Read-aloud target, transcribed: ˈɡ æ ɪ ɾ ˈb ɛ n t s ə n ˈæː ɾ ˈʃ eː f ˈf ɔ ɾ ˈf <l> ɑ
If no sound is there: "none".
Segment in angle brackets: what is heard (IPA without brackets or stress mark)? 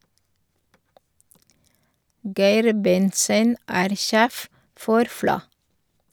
l